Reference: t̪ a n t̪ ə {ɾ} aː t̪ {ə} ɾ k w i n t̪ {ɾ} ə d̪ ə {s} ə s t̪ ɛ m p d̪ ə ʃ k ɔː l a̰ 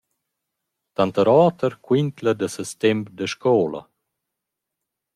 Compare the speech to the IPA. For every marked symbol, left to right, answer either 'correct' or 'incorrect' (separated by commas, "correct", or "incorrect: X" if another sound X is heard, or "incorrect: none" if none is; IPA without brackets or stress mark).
correct, correct, incorrect: l, correct